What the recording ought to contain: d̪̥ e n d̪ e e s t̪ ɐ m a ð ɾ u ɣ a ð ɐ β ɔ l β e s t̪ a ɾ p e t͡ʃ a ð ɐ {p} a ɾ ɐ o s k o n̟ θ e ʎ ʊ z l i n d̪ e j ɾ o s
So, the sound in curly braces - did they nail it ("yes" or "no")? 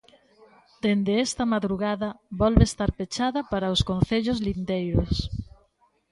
yes